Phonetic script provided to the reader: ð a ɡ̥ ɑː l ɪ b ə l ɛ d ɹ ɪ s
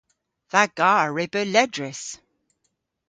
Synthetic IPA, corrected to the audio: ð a ɡ̥ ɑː ɹ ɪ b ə l ɛ d ɹ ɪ s